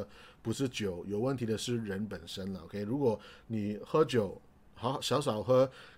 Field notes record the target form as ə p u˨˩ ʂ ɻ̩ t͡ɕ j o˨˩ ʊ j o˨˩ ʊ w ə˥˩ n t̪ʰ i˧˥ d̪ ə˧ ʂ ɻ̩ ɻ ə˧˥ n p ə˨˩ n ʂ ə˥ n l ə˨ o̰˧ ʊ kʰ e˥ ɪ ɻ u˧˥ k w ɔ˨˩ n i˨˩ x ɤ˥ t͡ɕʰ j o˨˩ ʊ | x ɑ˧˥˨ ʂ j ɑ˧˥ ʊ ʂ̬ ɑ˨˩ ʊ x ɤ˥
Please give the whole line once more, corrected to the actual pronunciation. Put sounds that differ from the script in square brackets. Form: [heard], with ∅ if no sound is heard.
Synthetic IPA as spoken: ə p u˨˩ ʂ ɻ̩ t͡ɕ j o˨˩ ʊ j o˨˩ ʊ w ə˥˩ n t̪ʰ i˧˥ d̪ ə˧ ʂ ɻ̩ ɻ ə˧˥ n p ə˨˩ n ʂ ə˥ n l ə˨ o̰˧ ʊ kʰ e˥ ɪ ɻ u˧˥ k w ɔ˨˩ n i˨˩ x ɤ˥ [t͡ɕ] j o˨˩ ʊ | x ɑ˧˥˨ [ɕ] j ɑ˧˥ ʊ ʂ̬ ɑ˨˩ ʊ x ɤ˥